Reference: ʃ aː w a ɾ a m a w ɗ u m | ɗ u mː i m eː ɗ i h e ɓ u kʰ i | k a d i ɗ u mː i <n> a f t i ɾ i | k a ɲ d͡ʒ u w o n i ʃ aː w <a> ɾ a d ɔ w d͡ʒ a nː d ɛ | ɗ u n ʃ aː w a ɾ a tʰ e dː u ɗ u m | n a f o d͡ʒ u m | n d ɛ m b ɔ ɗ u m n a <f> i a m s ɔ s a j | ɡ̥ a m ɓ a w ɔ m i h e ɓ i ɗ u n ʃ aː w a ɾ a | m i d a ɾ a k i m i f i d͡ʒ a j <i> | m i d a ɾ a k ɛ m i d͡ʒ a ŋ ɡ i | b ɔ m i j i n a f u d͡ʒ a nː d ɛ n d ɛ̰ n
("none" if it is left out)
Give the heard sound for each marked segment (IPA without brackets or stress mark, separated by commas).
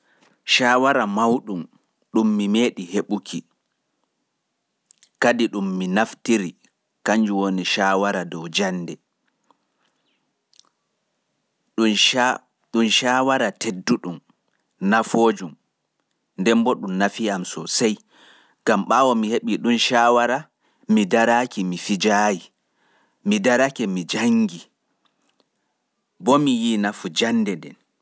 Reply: n, a, f, i